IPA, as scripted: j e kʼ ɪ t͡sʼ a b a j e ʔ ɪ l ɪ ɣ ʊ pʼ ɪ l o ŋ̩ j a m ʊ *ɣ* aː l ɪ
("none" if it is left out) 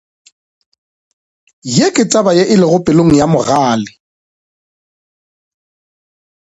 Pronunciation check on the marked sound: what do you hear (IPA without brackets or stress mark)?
ɣ